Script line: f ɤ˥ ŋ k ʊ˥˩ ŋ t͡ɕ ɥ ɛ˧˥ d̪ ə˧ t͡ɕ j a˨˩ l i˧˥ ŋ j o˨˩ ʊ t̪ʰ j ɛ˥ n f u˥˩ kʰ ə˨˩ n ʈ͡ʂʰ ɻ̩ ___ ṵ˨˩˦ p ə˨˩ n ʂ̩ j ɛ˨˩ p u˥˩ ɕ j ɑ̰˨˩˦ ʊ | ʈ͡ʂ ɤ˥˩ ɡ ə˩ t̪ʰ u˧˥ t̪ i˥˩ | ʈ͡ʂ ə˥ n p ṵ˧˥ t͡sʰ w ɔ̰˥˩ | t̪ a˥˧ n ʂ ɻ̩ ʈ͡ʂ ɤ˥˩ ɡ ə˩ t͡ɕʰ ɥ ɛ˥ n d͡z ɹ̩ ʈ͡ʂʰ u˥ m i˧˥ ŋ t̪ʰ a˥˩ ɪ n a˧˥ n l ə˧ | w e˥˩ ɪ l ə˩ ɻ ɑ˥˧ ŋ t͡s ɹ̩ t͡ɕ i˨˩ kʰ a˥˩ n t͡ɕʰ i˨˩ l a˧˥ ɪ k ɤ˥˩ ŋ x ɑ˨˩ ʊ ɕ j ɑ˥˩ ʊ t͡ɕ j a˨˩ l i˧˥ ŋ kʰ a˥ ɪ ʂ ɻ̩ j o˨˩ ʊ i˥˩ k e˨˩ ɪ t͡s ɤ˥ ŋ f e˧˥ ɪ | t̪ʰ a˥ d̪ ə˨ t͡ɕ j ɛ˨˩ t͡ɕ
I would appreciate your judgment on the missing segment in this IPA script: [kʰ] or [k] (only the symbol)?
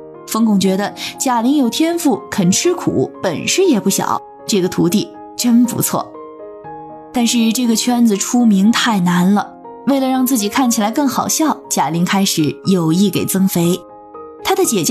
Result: kʰ